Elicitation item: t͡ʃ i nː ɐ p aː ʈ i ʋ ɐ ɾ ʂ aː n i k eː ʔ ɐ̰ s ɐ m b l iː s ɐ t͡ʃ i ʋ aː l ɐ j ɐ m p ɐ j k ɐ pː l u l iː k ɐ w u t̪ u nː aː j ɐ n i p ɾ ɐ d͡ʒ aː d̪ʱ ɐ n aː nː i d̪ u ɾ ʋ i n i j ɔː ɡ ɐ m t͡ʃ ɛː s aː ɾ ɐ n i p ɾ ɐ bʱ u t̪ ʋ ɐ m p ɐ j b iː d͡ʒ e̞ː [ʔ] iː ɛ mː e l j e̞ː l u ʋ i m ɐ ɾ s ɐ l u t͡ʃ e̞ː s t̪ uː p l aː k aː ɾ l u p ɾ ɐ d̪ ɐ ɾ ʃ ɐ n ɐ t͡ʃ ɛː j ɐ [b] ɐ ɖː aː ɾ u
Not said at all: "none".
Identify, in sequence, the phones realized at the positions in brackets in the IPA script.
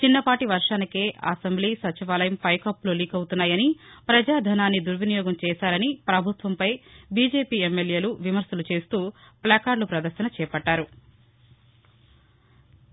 p, p

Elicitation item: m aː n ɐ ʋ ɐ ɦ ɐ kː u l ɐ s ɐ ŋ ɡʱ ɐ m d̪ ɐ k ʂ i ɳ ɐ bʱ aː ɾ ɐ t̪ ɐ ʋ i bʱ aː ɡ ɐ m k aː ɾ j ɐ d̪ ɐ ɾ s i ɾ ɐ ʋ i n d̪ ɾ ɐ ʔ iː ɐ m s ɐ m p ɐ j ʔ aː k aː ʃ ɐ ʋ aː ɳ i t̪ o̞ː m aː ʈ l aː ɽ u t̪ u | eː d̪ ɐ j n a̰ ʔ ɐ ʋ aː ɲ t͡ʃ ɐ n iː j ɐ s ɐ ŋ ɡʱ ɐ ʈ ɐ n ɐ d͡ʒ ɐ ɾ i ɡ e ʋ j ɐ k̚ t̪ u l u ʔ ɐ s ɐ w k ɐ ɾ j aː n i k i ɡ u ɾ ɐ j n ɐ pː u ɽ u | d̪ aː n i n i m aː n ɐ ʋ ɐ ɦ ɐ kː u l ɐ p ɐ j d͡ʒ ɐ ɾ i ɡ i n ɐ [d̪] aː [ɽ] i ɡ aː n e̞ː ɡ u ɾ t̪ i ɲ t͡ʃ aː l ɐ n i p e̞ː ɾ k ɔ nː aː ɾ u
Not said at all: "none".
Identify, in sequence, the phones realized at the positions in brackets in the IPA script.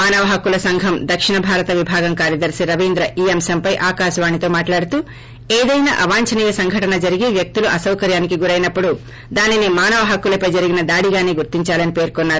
d̪, ɽ

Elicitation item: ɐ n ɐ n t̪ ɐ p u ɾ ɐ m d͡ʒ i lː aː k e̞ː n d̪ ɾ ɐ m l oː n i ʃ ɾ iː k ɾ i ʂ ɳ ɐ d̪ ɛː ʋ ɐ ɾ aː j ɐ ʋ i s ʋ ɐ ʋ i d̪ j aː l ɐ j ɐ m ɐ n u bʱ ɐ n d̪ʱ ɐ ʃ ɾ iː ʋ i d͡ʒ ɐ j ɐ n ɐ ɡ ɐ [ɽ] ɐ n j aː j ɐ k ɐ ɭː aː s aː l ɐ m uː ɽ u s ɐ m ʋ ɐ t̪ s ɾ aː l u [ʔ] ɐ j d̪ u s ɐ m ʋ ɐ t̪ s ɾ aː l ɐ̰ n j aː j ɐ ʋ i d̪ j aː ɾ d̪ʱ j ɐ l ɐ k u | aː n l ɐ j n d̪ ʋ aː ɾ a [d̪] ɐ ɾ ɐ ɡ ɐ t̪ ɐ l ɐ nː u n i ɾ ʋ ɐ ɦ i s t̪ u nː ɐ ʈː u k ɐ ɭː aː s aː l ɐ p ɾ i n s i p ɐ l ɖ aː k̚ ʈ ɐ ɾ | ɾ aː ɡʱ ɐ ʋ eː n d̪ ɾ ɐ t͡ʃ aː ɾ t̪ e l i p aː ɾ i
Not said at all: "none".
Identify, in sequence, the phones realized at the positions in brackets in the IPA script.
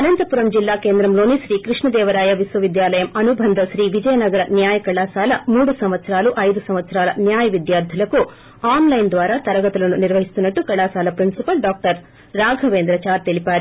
ɾ, ʔ, t̪

